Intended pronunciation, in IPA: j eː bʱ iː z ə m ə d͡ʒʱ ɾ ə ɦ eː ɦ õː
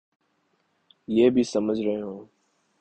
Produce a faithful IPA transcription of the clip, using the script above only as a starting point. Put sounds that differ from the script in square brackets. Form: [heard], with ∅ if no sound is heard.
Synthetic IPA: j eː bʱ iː [s] ə m ə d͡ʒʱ ɾ ə ɦ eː ɦ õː